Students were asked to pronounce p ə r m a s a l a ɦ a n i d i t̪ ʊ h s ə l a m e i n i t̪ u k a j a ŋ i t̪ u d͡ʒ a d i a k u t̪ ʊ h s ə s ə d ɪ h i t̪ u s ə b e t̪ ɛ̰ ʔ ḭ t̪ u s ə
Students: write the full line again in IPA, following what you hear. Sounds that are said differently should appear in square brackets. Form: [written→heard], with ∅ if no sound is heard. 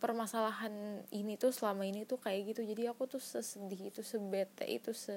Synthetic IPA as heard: p ə r m a s a l a ɦ a n i [d→n] i t̪ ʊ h s ə l a m [e→a] i n i t̪ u k a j a [ŋ→ɡ] i t̪ u d͡ʒ a d i a k u t̪ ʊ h s ə s ə d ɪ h i t̪ u s ə b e t̪ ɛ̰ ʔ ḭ t̪ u s ə